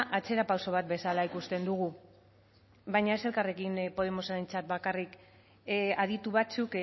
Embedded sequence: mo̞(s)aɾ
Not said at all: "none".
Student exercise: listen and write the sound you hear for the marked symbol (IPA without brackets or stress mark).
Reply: s